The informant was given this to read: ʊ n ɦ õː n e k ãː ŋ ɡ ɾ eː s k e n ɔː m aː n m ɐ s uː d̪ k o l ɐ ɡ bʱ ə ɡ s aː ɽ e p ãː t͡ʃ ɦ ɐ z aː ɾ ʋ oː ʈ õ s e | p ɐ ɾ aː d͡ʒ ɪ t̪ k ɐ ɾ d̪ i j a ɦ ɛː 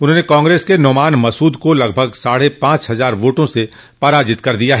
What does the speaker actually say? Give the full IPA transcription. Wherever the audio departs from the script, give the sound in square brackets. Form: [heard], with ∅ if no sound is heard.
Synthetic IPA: ʊ n ɦ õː n e k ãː ŋ ɡ ɾ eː s k e n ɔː m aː n m ɐ s uː d̪ k o l ɐ ɡ bʱ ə ɡ s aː ɽ e p ãː t͡ʃ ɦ ɐ z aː ɾ ʋ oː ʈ õ s e | p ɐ ɾ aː d͡ʒ ɪ t̪ k ɐ ɾ d̪ i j a ɦ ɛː

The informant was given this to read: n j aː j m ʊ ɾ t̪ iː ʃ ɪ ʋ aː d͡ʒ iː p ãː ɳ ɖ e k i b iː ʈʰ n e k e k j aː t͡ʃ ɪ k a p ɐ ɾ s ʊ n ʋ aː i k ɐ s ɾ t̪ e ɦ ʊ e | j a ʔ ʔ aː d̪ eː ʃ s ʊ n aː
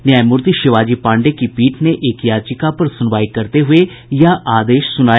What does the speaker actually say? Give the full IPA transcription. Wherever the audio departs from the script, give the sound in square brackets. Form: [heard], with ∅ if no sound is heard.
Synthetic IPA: n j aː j m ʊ ɾ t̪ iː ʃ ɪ ʋ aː d͡ʒ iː p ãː ɳ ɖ e k i [p] iː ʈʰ n e [ʔ] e k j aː t͡ʃ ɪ k a p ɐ ɾ s ʊ n ʋ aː i k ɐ [∅] ɾ t̪ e ɦ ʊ e | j a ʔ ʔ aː d̪ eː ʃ s ʊ n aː

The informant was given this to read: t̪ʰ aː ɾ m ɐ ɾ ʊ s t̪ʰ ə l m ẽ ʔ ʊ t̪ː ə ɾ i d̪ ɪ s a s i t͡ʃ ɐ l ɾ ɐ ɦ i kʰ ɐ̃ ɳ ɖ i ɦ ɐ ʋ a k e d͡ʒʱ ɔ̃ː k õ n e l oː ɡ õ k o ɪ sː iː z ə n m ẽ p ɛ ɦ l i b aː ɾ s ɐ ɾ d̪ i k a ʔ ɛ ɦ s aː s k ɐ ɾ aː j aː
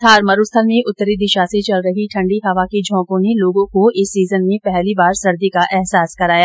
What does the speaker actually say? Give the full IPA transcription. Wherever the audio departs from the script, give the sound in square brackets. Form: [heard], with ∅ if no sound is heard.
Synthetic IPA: t̪ʰ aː ɾ m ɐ ɾ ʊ s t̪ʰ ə l m ẽ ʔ ʊ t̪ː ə ɾ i d̪ ɪ [ʃ] a s [e] t͡ʃ ɐ l ɾ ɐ ɦ i [ʈʰ] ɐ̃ ɳ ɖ i ɦ ɐ ʋ a k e d͡ʒʱ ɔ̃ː k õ n e l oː ɡ õ k o ɪ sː iː z ə n m ẽ p ɛ ɦ l i b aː ɾ s ɐ ɾ d̪ i k a ʔ ɛ ɦ s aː s k ɐ ɾ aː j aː

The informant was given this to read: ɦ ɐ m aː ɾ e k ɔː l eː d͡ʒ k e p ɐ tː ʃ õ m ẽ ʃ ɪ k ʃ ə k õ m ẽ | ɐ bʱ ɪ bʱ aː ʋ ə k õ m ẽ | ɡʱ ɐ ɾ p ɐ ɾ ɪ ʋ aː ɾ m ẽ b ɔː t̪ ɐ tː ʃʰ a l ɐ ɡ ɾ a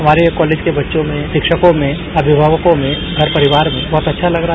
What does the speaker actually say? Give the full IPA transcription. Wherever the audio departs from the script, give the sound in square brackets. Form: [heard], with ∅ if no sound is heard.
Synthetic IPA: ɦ ɐ m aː ɾ e k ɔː l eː d͡ʒ k e [b] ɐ tː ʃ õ m ẽ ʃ ɪ k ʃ ə k õ m ẽ | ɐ bʱ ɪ bʱ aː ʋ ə k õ m ẽ | ɡʱ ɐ ɾ p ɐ ɾ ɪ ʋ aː ɾ m ẽ b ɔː t̪ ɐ tː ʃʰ a l ɐ ɡ ɾ a

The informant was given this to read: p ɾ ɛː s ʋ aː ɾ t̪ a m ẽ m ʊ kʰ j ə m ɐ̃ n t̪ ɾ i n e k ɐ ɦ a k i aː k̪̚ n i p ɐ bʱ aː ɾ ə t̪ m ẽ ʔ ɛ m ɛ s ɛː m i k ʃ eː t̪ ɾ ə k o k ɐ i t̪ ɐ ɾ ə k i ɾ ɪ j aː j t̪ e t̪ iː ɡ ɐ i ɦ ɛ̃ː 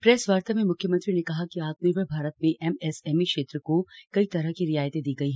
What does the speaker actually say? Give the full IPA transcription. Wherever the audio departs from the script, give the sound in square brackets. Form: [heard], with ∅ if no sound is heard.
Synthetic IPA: p ɾ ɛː s ʋ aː ɾ t̪ a m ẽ m ʊ kʰ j ə m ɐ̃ n t̪ ɾ i n e k ɐ ɦ a k i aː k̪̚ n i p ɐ bʱ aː ɾ ə t̪ m ẽ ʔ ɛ m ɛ s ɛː m i k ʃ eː t̪ ɾ ə k o k ɐ i t̪ ɐ ɾ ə k i ɾ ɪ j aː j t̪ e [d̪] iː ɡ ɐ i ɦ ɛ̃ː

